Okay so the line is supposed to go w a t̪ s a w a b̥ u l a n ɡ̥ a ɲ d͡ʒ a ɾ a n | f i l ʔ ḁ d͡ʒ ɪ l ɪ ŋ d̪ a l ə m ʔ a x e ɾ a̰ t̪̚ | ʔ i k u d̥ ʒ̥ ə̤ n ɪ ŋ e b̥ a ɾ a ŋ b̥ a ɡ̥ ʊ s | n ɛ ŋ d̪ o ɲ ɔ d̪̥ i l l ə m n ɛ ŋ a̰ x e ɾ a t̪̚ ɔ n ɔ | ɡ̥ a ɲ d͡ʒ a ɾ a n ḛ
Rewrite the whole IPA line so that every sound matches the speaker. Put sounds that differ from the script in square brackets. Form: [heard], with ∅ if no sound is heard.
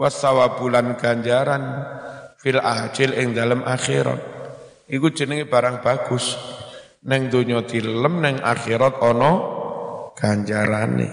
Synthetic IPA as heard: w a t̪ s a w a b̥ u l a n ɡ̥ a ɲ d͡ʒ a ɾ a n | f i l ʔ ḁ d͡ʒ ɪ l ɪ ŋ d̪ a l ə m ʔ a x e ɾ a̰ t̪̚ | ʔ i k u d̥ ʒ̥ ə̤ n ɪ ŋ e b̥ a ɾ a ŋ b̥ a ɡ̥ ʊ s | n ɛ ŋ d̪ o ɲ ɔ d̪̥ i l l ə m n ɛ ŋ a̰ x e ɾ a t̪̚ ɔ n ɔ | ɡ̥ a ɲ d͡ʒ a ɾ a n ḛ